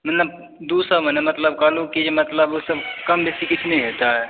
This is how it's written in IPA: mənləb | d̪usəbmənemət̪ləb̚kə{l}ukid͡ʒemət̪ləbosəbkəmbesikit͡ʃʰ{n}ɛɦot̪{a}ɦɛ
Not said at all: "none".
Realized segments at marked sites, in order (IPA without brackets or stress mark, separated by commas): l, n, a